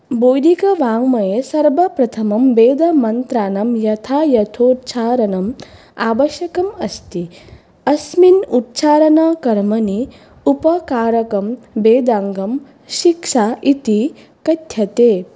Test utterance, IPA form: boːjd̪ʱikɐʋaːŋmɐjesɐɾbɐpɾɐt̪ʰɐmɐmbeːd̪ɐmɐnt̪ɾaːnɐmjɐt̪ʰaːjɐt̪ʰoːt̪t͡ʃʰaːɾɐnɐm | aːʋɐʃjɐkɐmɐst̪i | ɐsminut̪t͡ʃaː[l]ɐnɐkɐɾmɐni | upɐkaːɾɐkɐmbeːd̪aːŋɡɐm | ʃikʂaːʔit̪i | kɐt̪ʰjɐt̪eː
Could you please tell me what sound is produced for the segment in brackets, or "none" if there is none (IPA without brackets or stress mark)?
ɾ